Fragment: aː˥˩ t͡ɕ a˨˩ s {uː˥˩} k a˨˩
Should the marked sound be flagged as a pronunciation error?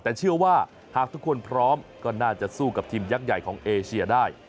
no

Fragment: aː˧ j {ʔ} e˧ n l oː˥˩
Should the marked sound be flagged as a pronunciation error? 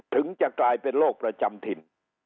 yes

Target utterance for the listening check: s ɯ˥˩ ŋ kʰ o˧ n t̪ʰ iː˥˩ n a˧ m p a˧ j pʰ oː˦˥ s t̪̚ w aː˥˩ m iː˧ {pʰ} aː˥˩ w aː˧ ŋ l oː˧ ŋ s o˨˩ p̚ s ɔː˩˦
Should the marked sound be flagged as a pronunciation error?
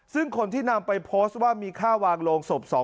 yes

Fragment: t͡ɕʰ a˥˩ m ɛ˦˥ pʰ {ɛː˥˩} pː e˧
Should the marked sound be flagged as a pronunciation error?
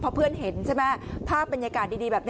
yes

